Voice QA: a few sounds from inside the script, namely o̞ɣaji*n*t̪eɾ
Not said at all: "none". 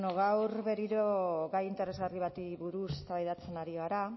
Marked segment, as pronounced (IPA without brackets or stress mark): n